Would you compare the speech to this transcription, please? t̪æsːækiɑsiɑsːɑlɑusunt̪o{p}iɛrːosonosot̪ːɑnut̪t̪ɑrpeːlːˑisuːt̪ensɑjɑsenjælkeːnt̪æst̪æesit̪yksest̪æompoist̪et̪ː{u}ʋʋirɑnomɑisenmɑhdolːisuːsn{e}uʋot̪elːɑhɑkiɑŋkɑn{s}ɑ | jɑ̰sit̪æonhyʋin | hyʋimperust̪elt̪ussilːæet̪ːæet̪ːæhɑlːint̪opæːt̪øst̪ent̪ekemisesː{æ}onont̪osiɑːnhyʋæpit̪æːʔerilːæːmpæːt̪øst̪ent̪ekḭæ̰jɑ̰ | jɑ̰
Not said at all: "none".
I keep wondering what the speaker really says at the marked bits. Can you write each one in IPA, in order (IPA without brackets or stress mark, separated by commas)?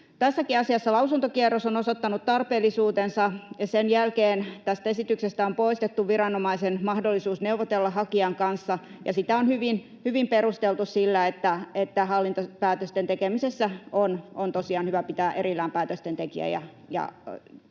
k, u, e, sː, æ